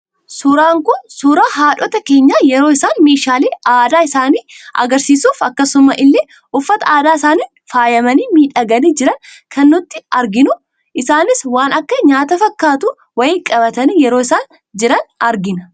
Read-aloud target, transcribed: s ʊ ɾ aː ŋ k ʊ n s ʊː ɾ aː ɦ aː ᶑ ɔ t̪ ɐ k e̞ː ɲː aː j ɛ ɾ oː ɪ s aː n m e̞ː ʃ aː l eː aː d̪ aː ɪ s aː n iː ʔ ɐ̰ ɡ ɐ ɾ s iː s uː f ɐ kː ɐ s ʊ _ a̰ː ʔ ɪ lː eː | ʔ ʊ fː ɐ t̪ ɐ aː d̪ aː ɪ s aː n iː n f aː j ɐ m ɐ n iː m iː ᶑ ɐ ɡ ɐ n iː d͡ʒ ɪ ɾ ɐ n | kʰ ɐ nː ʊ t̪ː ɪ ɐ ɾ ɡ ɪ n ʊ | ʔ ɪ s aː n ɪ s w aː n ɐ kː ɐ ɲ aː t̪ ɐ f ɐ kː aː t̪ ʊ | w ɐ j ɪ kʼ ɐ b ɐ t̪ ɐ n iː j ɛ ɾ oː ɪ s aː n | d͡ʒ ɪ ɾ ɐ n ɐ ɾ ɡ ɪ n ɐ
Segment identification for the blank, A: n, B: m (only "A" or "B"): B